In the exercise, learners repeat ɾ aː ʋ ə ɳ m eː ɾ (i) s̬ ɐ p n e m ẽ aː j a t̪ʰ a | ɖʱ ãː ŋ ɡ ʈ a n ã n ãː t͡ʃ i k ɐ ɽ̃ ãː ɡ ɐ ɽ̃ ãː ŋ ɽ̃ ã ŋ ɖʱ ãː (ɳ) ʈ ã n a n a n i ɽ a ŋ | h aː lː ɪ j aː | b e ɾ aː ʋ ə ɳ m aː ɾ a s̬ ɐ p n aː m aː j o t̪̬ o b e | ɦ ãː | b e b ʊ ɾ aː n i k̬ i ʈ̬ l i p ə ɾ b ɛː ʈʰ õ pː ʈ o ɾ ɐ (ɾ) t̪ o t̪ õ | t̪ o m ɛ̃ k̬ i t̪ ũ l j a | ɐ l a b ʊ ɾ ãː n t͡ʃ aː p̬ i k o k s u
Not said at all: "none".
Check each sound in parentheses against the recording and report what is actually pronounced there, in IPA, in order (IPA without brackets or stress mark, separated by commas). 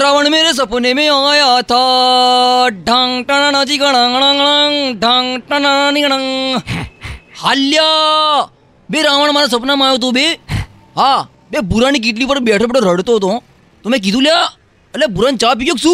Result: e, ŋ, ɽ